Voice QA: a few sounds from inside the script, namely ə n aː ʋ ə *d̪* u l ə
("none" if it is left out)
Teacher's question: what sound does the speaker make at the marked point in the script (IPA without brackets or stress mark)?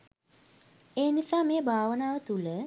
t̪